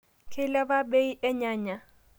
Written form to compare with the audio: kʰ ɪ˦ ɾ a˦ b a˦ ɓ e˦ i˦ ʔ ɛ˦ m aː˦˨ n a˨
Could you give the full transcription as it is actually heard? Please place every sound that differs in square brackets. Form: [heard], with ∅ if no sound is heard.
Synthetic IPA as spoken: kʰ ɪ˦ [l] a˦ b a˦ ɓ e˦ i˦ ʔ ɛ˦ [ɲ] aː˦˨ [ɲ] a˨